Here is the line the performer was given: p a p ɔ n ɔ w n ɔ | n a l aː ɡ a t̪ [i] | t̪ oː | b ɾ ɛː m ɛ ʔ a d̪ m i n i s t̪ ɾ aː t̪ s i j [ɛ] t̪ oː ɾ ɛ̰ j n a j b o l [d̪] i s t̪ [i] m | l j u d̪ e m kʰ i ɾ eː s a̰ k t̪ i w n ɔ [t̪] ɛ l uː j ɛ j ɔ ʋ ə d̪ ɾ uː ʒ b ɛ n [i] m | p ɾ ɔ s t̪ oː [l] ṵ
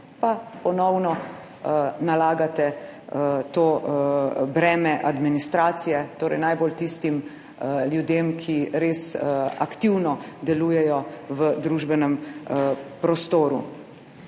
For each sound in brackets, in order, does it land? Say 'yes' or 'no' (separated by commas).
no, yes, no, yes, no, no, no